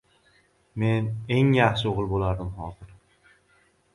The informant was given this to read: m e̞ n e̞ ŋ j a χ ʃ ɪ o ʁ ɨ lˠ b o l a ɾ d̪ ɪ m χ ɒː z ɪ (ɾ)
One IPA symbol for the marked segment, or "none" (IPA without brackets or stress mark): ɾ